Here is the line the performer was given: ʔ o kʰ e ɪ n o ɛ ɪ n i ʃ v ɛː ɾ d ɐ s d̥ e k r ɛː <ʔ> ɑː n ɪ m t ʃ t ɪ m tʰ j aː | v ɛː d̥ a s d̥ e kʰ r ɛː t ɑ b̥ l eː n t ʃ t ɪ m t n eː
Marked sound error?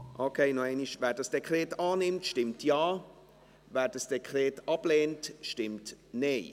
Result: yes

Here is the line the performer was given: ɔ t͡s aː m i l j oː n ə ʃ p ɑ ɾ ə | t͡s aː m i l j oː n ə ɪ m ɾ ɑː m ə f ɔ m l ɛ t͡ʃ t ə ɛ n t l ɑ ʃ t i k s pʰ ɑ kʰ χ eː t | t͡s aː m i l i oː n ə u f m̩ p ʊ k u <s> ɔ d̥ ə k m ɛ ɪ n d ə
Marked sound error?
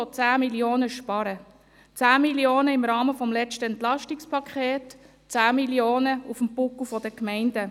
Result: yes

